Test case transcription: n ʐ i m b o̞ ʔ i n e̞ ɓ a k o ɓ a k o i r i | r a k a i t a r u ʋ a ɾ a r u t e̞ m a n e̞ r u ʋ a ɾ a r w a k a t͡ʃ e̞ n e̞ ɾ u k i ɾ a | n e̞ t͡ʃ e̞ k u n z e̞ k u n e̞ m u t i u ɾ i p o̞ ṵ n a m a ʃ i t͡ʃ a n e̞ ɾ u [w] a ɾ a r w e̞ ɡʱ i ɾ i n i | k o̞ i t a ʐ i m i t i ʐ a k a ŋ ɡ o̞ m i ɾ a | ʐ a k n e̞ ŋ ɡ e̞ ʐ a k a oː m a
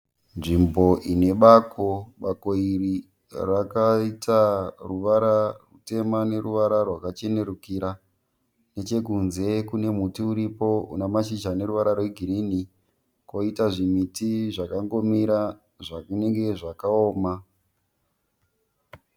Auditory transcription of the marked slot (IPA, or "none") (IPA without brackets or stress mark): ʋ